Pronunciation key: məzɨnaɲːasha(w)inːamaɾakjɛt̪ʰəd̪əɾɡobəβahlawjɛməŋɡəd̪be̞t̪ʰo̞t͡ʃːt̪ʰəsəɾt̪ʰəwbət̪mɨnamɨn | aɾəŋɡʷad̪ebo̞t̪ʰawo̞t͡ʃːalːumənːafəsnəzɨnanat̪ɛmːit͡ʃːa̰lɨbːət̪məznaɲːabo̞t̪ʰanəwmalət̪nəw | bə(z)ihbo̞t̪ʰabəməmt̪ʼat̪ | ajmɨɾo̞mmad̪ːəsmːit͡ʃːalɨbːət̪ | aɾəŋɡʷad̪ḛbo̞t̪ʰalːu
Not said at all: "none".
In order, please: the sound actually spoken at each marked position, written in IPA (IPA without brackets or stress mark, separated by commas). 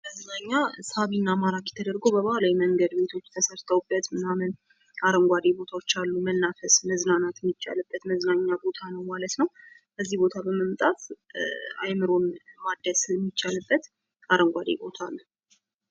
β, zː